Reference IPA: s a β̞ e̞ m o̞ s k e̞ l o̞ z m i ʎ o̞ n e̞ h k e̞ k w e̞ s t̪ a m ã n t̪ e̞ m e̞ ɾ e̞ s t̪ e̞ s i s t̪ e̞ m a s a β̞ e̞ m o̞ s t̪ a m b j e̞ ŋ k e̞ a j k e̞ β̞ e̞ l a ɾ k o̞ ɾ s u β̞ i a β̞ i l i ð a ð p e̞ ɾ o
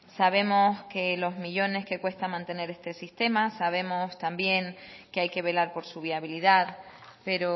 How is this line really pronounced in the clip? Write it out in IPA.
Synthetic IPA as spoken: s a β̞ e̞ m o̞ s k e̞ l o̞ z m i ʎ o̞ n e̞ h k e̞ k w e̞ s t̪ a m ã n t̪ e̞ n e̞ ɾ e̞ s t̪ e̞ s i s t̪ e̞ m a s a β̞ e̞ m o̞ s t̪ a m b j e̞ ŋ k e̞ a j k e̞ β̞ e̞ l a ɾ p o̞ ɾ s u β̞ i a β̞ i l i ð a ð p e̞ ɾ o

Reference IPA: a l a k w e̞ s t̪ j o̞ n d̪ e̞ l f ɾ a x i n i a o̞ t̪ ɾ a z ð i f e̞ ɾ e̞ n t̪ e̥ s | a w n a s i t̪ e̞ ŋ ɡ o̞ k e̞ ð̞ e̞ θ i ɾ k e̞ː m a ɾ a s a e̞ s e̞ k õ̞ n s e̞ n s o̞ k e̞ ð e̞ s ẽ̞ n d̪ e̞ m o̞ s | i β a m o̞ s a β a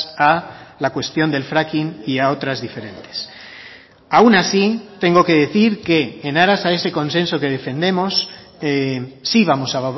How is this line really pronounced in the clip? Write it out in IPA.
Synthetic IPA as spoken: a l a k w e̞ s t̪ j o̞ n d̪ e̞ l f ɾ a k i n i a o̞ t̪ ɾ a z ð i f e̞ ɾ e̞ n t̪ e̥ s | a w n a s i t̪ e̞ ŋ ɡ o̞ k e̞ ð̞ e̞ θ i ɾ k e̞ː n a ɾ a s a e̞ s e̞ k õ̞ n s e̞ n s o̞ k e̞ ð e̞ f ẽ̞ n d̪ e̞ m o̞ s | i β a m o̞ s a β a

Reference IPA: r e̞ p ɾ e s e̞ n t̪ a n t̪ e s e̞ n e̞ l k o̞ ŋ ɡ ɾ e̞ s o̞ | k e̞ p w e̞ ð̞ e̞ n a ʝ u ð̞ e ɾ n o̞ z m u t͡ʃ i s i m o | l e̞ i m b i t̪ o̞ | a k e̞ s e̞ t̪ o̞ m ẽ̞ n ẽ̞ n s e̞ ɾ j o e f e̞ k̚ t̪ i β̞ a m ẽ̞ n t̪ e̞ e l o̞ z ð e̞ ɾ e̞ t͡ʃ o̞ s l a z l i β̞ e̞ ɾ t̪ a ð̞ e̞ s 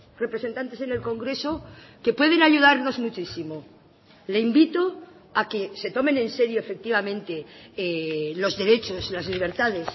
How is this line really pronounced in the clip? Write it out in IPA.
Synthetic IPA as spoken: r e̞ p ɾ e s e̞ n t̪ a n t̪ e s e̞ n e̞ l k o̞ ŋ ɡ ɾ e̞ s o̞ | k e̞ p w e̞ ð̞ e̞ n a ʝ u ð̞ a ɾ n o̞ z m u t͡ʃ i s i m o | l e̞ i m b i t̪ o̞ | a k e̞ s e̞ t̪ o̞ m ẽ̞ n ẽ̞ n s e̞ ɾ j o e f e̞ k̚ t̪ i β̞ a m ẽ̞ n t̪ e̞ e l o̞ z ð e̞ ɾ e̞ t͡ʃ o̞ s l a z l i β̞ e̞ ɾ t̪ a ð̞ e̞ s

